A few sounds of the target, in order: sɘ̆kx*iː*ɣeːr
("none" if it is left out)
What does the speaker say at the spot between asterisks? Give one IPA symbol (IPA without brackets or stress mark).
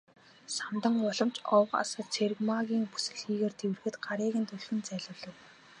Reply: iː